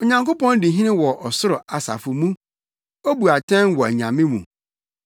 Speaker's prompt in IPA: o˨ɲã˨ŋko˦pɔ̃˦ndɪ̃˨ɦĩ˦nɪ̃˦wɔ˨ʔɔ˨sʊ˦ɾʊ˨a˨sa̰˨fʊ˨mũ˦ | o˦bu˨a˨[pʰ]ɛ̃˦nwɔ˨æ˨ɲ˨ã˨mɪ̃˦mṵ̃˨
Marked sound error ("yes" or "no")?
yes